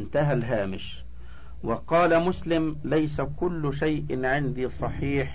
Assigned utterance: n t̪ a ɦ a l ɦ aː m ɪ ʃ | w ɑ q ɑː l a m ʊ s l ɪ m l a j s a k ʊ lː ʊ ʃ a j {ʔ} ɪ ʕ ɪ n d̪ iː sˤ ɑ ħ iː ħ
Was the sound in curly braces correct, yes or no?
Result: yes